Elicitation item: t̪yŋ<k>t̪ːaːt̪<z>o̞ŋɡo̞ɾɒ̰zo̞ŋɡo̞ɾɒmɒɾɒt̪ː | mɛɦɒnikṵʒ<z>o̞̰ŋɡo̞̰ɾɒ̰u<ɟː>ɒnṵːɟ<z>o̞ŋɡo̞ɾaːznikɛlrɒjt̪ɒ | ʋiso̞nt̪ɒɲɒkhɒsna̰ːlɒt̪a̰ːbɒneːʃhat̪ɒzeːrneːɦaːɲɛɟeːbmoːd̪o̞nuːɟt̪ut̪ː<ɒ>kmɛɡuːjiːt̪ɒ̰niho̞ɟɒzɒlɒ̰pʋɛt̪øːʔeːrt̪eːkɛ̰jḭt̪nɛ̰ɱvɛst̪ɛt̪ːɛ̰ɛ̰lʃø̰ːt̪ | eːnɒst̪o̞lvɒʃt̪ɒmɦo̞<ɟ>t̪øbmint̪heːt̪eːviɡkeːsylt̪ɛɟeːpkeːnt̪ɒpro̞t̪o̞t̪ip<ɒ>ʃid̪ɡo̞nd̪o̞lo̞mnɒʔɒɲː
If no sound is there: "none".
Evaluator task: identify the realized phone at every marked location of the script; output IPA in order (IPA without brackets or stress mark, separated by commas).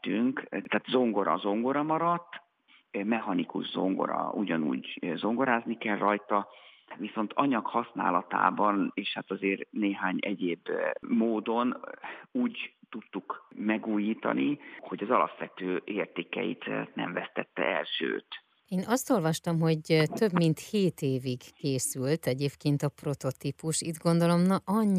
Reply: k, z, z, ɟ, z, u, ɟ, u